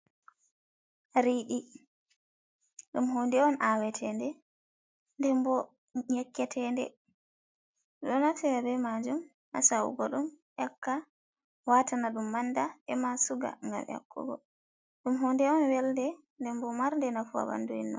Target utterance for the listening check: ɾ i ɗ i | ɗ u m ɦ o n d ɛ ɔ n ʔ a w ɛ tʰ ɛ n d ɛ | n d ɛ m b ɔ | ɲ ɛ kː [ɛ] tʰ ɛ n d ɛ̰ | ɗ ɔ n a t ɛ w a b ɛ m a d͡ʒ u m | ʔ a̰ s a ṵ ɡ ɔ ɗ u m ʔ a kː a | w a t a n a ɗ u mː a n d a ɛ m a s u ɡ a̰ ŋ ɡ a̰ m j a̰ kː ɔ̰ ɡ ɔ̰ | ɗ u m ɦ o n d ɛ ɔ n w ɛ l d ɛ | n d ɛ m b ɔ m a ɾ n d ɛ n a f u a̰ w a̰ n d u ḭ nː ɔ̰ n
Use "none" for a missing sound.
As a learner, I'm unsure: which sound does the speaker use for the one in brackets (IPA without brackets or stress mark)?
ɛ